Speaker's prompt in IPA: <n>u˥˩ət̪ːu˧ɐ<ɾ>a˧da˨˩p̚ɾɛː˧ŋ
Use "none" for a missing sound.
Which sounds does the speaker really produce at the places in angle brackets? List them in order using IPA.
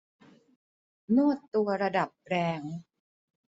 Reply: n, ɾ

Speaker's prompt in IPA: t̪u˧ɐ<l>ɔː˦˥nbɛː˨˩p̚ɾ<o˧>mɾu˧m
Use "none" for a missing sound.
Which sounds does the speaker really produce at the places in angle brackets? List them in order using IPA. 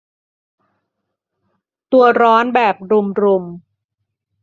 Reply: ɾ, u˧

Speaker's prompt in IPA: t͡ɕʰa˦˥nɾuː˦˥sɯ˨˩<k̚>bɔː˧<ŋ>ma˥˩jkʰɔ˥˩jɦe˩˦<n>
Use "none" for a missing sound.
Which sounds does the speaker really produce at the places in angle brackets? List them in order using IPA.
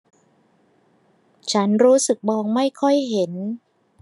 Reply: k̚, ŋ, n

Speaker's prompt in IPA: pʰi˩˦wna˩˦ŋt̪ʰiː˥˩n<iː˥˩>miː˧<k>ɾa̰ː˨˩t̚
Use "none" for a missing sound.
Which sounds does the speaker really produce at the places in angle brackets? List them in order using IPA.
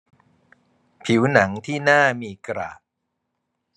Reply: aː˥˩, k

